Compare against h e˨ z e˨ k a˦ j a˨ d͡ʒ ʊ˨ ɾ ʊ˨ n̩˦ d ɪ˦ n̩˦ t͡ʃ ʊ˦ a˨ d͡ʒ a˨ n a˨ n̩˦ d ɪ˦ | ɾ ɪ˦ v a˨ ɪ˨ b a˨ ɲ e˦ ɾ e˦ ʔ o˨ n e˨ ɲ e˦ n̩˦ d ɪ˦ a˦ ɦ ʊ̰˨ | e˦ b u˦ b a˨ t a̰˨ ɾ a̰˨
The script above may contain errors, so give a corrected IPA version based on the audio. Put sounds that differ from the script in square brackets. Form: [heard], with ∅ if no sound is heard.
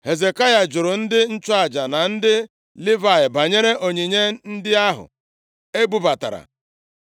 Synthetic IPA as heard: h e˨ z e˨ k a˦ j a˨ d͡ʒ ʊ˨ ɾ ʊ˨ n̩˦ d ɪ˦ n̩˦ t͡ʃ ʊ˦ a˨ d͡ʒ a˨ n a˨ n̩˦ d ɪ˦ | [l] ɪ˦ v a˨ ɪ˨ b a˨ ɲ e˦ ɾ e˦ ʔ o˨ [ɲ] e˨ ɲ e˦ n̩˦ d ɪ˦ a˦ ɦ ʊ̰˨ | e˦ b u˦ b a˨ t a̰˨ ɾ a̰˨